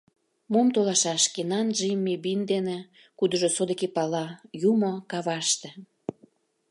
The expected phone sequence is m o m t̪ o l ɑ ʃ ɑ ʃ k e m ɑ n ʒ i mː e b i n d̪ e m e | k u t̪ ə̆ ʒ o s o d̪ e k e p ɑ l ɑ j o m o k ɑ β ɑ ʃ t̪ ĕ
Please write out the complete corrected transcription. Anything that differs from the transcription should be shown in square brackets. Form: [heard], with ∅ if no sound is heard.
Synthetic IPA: m o m t̪ o l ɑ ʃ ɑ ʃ k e [n] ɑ n ʒ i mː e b i n d̪ e [n] e | k u [d̪] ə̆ ʒ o s o d̪ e k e p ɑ l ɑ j [u] m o k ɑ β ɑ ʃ t̪ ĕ